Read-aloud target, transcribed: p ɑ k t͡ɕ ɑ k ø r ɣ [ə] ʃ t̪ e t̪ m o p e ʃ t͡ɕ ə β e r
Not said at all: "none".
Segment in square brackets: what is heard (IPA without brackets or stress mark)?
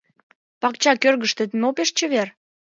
ə